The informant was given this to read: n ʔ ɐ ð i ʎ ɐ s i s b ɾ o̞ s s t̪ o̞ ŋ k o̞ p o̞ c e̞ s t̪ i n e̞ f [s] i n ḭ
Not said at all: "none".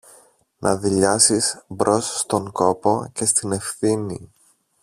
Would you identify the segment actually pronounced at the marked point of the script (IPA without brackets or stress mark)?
θ